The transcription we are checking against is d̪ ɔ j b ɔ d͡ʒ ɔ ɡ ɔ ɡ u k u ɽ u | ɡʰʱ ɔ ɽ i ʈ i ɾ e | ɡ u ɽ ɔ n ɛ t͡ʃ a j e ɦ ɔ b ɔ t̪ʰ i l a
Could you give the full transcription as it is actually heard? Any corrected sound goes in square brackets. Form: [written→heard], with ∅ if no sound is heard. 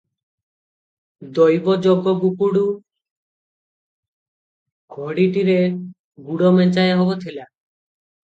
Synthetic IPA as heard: d̪ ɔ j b ɔ d͡ʒ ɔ ɡ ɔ ɡ u k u ɽ u | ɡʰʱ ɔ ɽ i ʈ i ɾ e | ɡ u ɽ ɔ [n→m] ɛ t͡ʃ a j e ɦ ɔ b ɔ t̪ʰ i l a